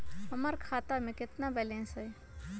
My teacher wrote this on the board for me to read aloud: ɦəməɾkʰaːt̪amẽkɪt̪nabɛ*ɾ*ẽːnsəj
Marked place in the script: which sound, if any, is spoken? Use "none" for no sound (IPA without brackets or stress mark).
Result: l